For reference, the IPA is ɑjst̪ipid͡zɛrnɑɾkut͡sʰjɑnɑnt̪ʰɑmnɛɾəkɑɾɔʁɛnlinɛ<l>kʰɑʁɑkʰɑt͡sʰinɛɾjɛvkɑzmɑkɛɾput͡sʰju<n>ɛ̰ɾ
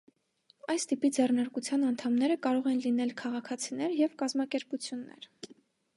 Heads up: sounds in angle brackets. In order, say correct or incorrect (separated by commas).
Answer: correct, incorrect